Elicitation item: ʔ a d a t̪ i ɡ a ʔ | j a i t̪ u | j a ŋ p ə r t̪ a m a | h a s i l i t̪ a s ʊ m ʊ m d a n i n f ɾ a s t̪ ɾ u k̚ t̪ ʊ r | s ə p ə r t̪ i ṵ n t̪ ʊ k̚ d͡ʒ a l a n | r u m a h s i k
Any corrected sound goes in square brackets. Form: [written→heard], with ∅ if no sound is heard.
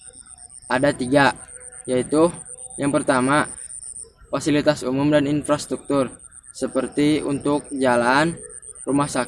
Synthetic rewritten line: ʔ a d a t̪ i ɡ a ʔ | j a i t̪ u | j a ŋ p ə r t̪ a m a | [h→f] a s i l i t̪ a s [ʊ→u] m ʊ m d a n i n f ɾ a s t̪ ɾ u k̚ t̪ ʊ r | s ə p ə r t̪ i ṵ n t̪ ʊ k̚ d͡ʒ a l a n | r u m a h s [i→a] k